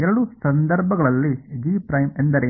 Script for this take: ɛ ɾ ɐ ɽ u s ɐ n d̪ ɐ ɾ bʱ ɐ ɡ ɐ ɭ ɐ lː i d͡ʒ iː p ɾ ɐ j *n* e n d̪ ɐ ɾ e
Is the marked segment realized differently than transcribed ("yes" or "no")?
yes